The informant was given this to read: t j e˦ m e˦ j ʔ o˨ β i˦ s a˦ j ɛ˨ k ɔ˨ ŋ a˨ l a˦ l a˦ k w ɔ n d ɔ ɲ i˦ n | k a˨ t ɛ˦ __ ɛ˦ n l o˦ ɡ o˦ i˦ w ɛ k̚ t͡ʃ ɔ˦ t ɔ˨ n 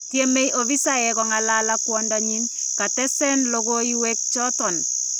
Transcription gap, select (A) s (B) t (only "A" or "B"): A